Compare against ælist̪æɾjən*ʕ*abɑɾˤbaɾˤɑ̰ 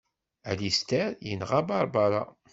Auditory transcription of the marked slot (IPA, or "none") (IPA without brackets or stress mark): ʁ